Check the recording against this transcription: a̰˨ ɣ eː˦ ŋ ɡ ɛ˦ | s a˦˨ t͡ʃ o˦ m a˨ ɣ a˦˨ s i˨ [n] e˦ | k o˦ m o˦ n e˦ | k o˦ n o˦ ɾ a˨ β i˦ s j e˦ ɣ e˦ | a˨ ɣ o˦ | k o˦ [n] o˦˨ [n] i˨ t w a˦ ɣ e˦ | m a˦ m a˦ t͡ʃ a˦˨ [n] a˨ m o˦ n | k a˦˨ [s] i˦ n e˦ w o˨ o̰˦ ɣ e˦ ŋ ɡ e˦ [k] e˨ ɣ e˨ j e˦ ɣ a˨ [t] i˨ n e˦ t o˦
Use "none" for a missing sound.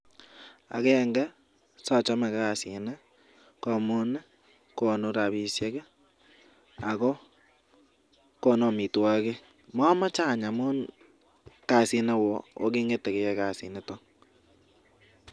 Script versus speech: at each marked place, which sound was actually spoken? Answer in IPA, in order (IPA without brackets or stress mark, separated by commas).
n, n, m, ɲ, s, t, s